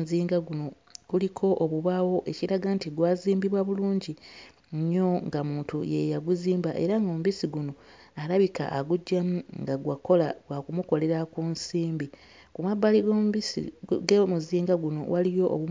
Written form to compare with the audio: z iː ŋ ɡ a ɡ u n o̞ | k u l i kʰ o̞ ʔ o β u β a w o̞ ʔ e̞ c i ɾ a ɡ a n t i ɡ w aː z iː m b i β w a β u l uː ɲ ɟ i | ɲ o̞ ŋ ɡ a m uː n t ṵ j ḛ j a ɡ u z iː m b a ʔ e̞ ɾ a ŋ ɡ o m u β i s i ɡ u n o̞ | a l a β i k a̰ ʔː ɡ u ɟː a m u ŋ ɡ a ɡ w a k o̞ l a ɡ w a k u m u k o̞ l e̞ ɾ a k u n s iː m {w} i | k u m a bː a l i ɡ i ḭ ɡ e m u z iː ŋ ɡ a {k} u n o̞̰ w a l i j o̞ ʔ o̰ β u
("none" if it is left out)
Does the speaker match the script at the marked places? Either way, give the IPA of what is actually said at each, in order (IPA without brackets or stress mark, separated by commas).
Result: b, ɡ